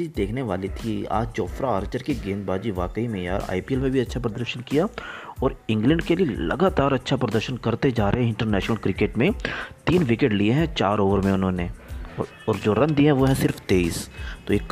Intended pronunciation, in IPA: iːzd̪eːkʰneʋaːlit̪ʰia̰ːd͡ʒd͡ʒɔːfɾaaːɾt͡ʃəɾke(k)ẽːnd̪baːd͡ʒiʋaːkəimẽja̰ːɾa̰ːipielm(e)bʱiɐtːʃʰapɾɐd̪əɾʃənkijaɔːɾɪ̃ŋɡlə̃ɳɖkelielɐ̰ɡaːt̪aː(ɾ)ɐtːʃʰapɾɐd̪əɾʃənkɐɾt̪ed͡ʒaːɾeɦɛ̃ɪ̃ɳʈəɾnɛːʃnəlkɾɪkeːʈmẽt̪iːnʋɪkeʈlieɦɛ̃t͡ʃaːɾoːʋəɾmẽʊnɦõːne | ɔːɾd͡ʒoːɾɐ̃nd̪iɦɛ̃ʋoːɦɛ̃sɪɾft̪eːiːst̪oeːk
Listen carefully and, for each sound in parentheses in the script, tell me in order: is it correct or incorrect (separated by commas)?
incorrect, incorrect, correct